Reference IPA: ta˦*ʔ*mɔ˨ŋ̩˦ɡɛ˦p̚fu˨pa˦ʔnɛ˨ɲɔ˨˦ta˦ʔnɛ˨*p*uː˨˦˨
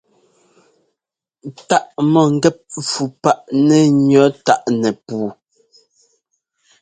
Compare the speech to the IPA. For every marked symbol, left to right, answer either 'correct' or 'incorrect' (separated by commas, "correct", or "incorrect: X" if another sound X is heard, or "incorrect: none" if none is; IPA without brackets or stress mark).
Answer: correct, correct